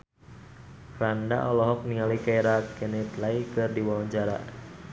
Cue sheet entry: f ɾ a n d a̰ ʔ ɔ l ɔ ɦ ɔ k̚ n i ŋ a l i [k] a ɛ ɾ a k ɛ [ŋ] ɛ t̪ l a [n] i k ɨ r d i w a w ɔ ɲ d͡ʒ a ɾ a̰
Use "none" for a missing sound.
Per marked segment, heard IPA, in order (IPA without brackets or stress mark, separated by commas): k, n, none